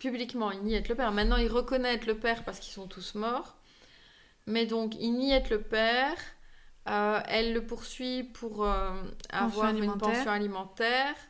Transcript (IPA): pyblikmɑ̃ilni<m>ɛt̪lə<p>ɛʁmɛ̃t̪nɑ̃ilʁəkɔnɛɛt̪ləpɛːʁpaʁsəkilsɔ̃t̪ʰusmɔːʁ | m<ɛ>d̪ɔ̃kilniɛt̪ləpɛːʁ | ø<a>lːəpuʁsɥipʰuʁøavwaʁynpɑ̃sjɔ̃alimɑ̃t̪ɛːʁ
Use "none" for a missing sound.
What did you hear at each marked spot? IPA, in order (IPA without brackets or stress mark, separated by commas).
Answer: none, p, ɛ, ɛ